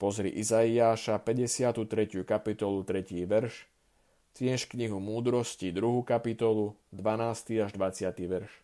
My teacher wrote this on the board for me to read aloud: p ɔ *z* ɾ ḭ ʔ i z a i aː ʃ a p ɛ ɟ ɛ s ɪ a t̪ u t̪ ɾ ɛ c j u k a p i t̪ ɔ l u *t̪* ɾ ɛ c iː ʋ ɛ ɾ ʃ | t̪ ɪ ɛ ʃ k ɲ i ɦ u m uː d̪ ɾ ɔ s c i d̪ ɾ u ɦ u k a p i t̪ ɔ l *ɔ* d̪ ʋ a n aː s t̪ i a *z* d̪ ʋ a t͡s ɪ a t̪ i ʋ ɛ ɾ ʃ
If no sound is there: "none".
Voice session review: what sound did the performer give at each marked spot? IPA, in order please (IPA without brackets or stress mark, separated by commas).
z, t̪, u, ʒ